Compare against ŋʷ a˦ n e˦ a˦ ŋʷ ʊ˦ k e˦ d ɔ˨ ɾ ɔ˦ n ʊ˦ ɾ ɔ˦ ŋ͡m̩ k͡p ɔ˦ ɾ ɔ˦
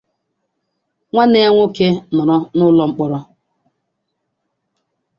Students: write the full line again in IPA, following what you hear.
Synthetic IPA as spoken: ŋʷ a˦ n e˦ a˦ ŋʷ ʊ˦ k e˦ n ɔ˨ ɾ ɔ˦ n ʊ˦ l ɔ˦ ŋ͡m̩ k͡p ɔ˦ ɾ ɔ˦